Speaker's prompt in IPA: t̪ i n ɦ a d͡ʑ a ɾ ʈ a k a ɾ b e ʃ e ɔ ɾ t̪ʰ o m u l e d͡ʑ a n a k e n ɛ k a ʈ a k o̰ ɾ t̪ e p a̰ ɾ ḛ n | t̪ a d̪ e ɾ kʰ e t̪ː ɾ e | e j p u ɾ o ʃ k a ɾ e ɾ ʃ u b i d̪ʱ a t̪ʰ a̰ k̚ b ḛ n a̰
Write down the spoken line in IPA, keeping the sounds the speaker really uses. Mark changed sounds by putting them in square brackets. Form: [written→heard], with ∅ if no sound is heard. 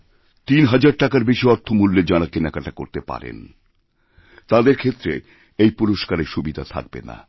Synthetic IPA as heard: t̪ i n ɦ a d͡ʑ a ɾ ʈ a k a ɾ b e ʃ [e→i] ɔ ɾ t̪ʰ o m u [l→lː] e d͡ʑ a n a k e n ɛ k a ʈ a k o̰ ɾ t̪ e p a̰ ɾ ḛ n | t̪ a d̪ e ɾ kʰ e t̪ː ɾ e | e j p u ɾ o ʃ k a ɾ e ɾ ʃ u b i d̪ʱ a t̪ʰ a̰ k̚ b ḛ n a̰